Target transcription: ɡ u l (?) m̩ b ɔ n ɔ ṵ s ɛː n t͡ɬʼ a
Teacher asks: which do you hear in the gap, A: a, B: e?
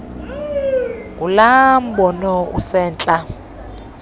A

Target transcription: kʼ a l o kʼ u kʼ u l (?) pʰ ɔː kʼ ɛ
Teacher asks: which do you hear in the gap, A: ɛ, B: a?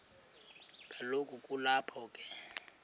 B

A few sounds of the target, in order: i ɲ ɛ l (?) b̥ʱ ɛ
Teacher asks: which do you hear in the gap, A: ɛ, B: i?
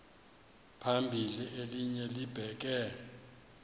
B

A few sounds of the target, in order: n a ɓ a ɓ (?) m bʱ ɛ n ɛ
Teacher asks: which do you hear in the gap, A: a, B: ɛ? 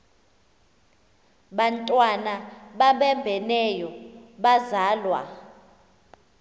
B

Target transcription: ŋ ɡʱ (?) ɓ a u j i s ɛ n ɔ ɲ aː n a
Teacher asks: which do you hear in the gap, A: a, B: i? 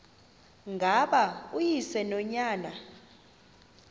A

